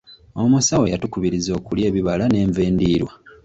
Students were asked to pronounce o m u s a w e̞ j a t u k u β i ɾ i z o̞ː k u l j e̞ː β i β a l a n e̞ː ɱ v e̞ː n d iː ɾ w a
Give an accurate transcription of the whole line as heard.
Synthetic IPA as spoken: o m u s a w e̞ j a t u k u β i ɾ i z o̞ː k u l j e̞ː β i β a l a n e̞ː ɱ v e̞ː n d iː ɾ w a